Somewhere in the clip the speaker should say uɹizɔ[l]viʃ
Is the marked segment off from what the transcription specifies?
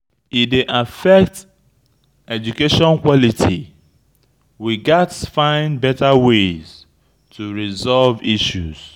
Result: no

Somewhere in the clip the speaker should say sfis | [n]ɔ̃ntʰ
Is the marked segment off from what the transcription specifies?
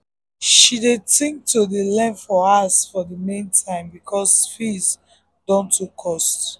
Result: yes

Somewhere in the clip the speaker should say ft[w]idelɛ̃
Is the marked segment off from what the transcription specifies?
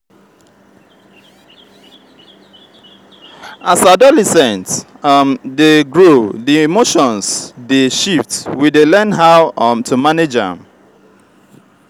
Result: no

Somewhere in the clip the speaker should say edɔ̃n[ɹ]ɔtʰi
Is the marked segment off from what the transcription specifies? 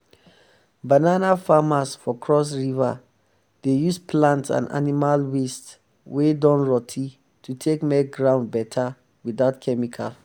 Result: no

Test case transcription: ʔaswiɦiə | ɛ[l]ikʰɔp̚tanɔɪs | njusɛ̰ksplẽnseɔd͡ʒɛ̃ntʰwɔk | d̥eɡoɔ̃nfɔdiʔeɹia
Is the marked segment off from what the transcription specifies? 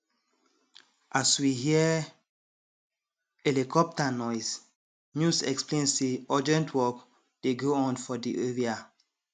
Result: no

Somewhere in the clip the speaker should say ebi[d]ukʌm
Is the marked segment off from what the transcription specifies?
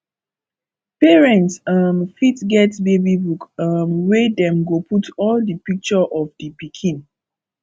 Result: yes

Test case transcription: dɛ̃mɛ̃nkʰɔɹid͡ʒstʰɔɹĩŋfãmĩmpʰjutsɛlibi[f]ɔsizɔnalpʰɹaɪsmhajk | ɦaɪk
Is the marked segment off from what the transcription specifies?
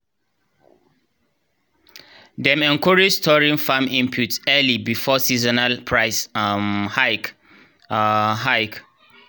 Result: no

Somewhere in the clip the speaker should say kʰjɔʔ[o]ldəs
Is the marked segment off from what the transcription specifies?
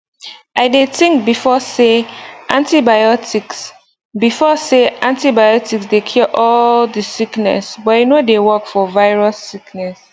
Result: yes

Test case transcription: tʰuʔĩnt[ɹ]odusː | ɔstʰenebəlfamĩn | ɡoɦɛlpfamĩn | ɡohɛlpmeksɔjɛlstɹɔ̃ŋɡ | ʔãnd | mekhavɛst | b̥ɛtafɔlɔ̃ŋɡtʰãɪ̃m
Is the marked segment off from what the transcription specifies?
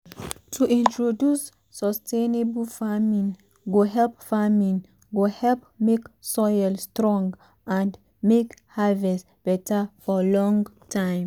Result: no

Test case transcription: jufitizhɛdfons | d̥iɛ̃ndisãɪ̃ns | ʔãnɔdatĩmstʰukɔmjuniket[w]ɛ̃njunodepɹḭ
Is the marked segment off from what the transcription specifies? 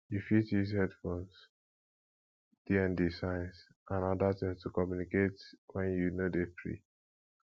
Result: no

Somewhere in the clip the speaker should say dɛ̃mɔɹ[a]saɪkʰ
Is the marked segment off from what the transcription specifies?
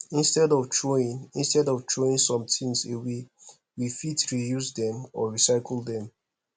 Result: yes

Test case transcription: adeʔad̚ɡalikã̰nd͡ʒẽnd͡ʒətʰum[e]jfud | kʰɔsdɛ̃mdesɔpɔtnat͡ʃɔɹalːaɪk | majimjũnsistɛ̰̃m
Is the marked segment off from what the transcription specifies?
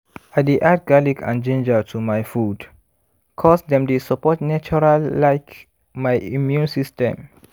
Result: yes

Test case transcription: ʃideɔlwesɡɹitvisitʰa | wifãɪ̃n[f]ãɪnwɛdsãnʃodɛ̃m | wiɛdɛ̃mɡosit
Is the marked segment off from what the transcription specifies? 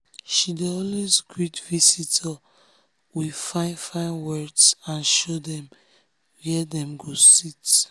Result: no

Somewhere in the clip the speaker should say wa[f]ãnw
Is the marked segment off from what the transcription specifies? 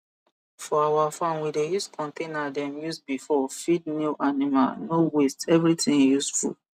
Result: no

